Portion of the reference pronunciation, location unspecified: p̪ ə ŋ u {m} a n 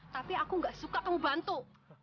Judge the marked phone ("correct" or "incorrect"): incorrect